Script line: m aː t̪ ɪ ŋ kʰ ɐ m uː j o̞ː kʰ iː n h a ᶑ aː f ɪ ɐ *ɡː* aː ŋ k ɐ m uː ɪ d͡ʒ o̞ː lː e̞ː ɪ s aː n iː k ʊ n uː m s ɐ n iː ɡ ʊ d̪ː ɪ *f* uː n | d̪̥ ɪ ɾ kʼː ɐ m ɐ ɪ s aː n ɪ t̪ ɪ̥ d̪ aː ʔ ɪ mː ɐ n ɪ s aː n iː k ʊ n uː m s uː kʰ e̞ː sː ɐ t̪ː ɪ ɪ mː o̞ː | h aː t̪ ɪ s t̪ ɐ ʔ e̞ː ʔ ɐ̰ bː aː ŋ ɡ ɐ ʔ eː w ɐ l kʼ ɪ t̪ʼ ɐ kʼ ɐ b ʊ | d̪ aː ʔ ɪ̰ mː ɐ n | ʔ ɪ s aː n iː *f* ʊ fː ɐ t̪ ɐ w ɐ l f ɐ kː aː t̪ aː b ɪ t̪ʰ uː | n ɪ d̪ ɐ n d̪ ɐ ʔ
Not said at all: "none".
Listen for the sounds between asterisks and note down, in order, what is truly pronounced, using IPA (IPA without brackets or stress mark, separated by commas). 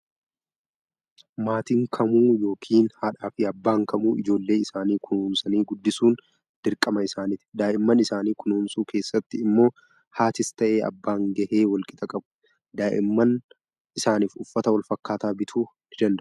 bː, s, f